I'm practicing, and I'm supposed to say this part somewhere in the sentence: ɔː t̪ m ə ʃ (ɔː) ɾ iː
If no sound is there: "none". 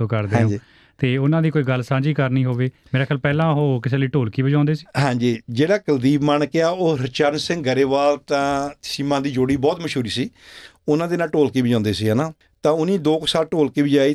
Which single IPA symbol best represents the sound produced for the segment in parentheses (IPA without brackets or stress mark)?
uː